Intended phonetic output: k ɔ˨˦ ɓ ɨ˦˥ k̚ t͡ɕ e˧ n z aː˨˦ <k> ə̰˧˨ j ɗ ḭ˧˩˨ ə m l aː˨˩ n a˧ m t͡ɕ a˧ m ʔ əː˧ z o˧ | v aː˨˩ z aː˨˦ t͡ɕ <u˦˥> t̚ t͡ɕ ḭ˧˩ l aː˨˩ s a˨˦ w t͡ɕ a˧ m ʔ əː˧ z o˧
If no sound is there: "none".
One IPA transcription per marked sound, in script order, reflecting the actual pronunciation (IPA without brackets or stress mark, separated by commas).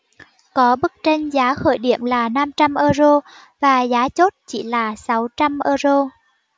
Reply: x, o˦˥